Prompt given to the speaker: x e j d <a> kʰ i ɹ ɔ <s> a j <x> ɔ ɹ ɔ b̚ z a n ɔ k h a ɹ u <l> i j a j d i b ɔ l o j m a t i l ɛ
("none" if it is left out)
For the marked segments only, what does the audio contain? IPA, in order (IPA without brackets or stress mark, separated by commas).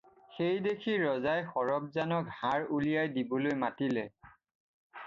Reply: e, z, x, l